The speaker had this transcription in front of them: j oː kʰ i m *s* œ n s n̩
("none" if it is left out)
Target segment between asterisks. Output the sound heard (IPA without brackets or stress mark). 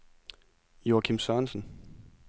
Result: s